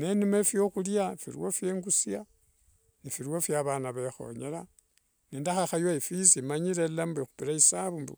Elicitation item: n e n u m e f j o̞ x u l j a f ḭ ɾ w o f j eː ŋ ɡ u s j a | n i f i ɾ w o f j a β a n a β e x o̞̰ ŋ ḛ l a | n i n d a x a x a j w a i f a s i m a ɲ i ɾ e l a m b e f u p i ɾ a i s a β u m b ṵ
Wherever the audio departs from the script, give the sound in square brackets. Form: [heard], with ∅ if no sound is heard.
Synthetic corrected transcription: n e n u m e f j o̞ x u l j a f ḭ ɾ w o f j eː ŋ ɡ u s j a | n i f i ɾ w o f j a β a n a β e x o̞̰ [ɲ] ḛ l a | n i n d a x a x a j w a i f [i] s i m a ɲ i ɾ e l a m b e [x] u p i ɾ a i s a β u m b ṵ